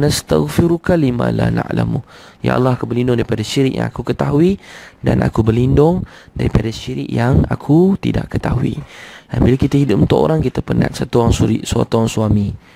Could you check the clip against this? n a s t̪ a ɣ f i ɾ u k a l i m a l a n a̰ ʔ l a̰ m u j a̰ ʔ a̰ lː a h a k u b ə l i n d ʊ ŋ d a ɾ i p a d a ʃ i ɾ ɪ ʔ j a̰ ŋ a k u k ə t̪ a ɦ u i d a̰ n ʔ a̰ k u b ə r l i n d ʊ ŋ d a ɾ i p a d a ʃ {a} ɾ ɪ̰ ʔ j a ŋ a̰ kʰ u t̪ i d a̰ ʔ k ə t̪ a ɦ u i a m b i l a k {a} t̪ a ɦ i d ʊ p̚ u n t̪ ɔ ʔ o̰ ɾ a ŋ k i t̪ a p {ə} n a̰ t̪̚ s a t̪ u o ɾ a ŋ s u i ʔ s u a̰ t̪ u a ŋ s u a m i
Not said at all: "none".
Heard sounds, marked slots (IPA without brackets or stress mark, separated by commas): i, i, ə